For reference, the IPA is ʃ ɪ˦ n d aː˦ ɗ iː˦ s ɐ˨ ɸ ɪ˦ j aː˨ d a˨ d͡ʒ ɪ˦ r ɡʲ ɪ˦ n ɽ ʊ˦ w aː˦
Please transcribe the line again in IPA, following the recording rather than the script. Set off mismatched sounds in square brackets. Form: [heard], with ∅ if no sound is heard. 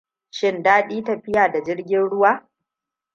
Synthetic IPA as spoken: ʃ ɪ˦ n d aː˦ ɗ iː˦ [t] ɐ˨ ɸ ɪ˦ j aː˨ d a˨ d͡ʒ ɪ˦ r ɡʲ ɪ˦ n ɽ ʊ˦ w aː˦

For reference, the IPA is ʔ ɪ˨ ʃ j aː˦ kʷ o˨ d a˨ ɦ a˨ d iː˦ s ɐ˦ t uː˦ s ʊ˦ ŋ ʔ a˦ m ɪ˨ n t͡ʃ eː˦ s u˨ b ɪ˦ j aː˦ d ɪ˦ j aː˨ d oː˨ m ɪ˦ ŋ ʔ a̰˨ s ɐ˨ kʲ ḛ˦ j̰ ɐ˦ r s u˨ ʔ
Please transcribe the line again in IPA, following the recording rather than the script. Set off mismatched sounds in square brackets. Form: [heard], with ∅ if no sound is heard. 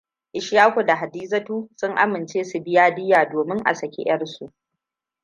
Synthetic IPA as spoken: ʔ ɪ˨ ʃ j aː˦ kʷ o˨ d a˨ ɦ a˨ d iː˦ [z] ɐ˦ t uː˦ s ʊ˦ ŋ ʔ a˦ m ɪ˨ n t͡ʃ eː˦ s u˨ b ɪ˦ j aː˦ d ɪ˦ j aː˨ d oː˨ m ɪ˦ ŋ ʔ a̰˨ s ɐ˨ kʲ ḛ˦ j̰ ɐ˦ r s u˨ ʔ

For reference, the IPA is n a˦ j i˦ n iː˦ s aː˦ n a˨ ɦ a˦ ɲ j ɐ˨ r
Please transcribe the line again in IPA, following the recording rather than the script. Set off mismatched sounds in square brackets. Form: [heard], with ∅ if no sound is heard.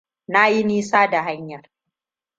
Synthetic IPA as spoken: n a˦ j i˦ n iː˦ s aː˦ [d] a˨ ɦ a˦ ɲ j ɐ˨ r

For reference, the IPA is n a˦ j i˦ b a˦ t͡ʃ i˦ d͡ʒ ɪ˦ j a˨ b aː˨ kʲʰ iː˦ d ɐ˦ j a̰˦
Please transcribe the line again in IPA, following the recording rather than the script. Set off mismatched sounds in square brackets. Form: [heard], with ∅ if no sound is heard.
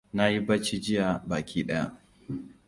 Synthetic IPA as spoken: n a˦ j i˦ b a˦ t͡ʃ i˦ d͡ʒ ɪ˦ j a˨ b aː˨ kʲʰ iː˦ [ɗ] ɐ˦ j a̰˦

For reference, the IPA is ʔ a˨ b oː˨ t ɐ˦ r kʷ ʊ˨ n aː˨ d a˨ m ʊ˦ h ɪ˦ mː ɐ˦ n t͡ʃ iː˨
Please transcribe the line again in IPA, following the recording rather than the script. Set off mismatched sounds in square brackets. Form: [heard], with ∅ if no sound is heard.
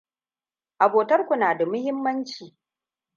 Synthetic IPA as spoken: ʔ a˨ b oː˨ t ɐ˦ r kʷ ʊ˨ n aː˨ d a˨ m ʊ˦ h ɪ˦ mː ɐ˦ n t͡ʃ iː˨

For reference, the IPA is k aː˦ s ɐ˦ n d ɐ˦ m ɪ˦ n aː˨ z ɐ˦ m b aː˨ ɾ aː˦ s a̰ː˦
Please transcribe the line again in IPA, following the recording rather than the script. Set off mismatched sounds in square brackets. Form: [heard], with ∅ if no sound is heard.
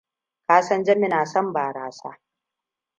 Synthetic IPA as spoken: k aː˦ s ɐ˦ n [d͡ʒ] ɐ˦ m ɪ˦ n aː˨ [s] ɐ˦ m b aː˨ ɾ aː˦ s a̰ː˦

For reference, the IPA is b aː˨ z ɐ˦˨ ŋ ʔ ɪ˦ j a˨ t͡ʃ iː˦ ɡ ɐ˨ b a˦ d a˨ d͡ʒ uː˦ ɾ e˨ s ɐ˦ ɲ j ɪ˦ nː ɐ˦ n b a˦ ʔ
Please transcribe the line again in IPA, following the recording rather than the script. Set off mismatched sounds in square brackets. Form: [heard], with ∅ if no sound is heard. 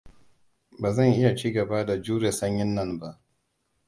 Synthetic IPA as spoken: b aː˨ z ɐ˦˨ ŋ ʔ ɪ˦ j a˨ t͡ʃ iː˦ ɡ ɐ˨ b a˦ d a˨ d͡ʒ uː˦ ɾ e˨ s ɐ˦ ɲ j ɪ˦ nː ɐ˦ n b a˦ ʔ

